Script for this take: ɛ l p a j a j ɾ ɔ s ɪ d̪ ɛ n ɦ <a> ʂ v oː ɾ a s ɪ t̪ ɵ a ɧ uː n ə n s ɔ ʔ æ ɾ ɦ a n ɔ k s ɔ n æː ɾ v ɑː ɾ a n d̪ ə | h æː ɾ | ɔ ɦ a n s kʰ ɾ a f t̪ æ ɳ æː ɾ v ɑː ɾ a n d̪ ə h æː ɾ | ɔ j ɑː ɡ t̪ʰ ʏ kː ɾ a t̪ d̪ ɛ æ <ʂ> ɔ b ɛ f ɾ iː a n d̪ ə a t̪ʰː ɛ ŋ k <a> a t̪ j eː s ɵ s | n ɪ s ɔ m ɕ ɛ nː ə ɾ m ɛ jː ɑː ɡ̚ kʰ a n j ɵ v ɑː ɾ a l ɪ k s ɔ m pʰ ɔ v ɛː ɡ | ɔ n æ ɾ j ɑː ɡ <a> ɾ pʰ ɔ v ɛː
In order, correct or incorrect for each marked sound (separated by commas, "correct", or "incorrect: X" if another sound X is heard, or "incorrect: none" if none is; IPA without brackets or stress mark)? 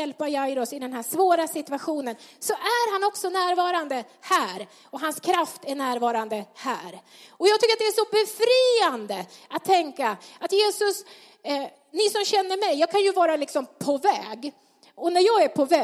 incorrect: æ, correct, correct, incorrect: æ